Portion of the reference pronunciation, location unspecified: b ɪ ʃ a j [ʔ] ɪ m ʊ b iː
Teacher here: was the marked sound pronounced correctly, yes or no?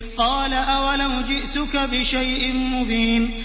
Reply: yes